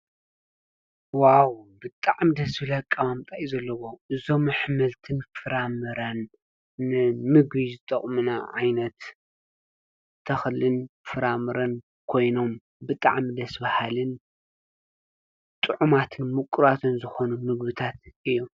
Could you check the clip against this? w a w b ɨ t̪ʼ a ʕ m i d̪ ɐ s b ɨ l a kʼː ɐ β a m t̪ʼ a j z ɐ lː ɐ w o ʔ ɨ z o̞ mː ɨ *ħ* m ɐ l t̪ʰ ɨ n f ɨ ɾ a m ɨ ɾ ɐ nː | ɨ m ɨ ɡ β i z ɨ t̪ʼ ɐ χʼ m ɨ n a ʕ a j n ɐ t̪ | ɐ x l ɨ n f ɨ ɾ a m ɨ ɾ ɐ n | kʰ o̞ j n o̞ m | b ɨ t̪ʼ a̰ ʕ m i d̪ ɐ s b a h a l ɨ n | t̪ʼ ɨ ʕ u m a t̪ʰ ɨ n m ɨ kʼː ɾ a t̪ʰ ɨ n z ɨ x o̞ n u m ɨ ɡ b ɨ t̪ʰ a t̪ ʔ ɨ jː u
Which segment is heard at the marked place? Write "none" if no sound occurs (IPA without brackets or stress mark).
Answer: ħ